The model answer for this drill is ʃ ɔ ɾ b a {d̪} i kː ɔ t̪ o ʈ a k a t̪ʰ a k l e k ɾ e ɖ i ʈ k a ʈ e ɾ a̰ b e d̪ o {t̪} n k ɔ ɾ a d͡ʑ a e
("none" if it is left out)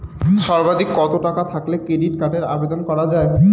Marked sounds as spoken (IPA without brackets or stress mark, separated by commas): d̪, none